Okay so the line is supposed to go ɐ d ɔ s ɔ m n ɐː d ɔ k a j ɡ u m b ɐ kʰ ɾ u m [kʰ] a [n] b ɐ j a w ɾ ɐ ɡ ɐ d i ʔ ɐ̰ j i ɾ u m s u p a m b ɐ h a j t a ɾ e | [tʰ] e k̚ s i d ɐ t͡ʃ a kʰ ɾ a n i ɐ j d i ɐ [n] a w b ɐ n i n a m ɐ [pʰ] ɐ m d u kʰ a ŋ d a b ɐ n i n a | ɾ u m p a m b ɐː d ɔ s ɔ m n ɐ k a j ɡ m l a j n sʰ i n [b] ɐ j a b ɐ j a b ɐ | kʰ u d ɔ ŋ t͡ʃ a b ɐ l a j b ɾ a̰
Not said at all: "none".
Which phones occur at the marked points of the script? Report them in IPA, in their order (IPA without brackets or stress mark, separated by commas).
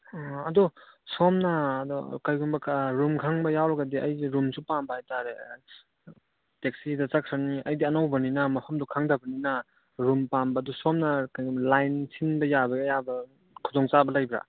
kʰ, ŋ, t, n, pʰ, b